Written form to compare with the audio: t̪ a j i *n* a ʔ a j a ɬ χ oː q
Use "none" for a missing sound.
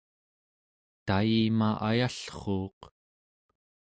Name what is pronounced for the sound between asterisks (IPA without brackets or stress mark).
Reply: m